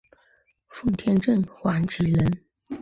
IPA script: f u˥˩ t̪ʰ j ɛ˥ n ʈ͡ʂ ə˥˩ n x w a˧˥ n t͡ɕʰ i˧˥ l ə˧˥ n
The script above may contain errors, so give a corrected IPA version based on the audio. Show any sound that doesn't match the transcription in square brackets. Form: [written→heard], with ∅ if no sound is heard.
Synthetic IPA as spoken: f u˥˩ t̪ʰ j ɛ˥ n ʈ͡ʂ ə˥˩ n x w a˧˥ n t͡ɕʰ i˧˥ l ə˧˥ n